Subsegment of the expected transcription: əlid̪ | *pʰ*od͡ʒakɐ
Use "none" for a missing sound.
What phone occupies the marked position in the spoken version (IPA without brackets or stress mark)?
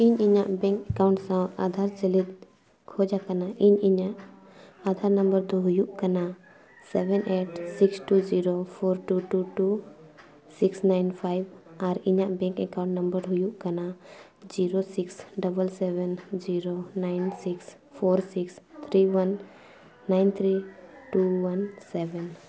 kʰ